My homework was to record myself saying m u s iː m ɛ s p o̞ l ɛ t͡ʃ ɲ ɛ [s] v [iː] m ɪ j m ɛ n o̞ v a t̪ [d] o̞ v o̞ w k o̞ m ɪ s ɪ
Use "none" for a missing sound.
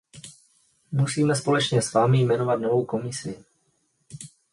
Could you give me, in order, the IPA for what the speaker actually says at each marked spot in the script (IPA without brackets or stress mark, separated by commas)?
s, aː, n